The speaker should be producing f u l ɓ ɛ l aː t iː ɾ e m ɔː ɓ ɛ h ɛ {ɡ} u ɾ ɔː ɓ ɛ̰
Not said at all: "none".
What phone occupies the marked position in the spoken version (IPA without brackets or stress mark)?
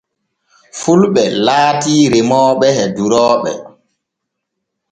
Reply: d